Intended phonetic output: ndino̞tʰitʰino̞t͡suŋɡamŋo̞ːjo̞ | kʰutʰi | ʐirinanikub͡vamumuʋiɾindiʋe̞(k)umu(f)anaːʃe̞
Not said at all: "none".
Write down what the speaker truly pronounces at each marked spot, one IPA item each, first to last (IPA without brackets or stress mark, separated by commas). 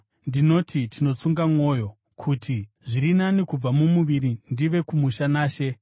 k, ʃ